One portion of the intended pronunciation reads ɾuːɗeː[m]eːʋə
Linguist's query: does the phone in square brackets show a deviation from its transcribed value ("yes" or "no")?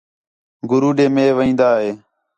no